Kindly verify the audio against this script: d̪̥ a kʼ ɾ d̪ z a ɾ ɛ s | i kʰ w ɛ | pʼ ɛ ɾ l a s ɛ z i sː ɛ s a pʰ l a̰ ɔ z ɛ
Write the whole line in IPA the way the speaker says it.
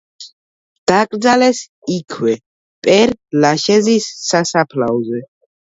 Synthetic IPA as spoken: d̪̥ a kʼ ɾ d̪ z a l ɛ s | i kʰ w ɛ | pʼ ɛ ɾ l a ʃ ɛ z i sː a s a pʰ l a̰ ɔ z ɛ

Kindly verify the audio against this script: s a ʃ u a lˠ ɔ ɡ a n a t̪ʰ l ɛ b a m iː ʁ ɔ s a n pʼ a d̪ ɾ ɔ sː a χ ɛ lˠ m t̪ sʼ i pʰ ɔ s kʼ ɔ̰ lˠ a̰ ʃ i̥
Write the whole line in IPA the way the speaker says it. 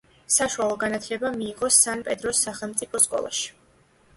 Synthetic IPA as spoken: s a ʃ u a lˠ ɔ ɡ a n a t̪ʰ l ɛ b a m iː ʁ ɔ s a n pʼ ɛ d̪ ɾ ɔ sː a χ ɛ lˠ m t̪ sʼ i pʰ ɔ s kʼ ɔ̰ lˠ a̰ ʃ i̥

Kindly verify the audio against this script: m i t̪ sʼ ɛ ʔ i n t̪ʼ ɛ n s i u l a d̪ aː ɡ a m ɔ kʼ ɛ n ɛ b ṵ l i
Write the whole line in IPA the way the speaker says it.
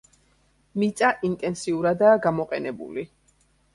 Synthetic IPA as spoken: m i t̪ sʼ a ʔ i n t̪ʼ ɛ n s i u ɾ a d̪ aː ɡ a m ɔ qʼ ɛ n ɛ b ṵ l i

